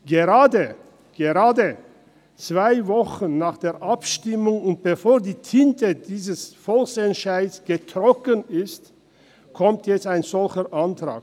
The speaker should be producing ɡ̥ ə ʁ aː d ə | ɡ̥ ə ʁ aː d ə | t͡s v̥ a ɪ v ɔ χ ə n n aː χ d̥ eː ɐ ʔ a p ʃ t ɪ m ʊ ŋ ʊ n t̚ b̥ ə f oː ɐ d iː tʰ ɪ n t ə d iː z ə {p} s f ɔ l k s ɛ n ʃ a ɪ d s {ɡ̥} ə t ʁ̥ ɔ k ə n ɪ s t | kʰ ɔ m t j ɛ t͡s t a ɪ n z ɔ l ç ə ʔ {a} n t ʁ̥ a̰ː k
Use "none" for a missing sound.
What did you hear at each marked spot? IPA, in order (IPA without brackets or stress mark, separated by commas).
none, ɡ̥, a